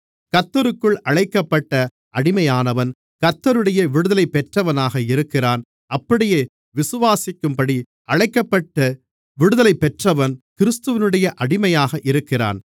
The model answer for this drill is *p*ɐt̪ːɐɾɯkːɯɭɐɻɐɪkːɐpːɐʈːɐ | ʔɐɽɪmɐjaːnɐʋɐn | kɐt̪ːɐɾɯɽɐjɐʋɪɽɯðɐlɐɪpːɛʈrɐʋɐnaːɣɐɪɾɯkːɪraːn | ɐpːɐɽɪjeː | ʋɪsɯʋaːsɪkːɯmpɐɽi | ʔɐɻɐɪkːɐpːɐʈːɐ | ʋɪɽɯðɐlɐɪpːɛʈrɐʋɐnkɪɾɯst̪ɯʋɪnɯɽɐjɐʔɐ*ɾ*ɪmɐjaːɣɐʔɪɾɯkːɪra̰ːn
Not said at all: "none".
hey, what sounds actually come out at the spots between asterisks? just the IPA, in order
k, ɽ

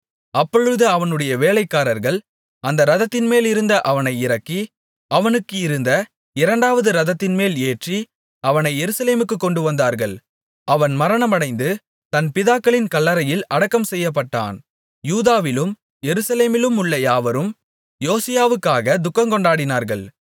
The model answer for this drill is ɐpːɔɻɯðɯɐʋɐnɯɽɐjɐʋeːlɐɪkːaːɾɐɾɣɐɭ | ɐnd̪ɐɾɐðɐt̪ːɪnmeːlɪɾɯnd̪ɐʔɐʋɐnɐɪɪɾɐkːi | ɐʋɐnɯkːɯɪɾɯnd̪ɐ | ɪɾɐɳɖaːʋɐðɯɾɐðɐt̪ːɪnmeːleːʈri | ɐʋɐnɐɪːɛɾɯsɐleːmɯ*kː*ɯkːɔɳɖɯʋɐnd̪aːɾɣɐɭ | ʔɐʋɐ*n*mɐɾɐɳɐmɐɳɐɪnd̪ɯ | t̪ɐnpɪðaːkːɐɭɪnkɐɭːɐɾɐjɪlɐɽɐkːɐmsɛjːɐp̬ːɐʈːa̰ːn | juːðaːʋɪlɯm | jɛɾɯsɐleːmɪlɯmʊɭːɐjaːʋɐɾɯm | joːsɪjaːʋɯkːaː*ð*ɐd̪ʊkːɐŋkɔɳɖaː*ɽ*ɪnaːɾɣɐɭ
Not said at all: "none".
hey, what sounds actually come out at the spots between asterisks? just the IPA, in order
kː, n, ɣ, ɽ

